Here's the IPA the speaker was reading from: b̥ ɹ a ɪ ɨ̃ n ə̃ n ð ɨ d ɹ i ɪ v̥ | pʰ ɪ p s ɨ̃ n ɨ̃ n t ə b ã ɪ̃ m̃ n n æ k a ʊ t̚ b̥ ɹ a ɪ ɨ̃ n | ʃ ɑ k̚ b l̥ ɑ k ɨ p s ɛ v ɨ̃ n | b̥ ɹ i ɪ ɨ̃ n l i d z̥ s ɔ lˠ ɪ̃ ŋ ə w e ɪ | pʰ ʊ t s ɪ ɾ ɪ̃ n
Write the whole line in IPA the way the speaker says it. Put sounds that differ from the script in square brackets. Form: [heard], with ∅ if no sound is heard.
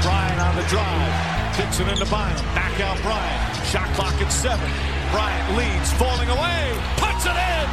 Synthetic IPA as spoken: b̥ ɹ a ɪ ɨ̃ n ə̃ n ð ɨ d ɹ [a] ɪ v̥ | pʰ ɪ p s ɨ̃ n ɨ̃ n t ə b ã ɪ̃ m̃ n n æ k a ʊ t̚ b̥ ɹ a ɪ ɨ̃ n | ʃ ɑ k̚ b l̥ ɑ k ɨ [t] s ɛ v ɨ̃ n | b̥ ɹ [a] ɪ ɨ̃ n l i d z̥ [f] ɔ lˠ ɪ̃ ŋ ə w e ɪ | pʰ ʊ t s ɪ ɾ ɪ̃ n